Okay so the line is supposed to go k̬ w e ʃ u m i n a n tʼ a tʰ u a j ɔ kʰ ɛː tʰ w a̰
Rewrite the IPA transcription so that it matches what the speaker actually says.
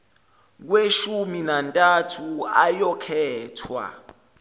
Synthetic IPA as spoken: k̬ w e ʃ u m i n a n tʼ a tʰ u a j ɔ kʰ ɛː tʰ w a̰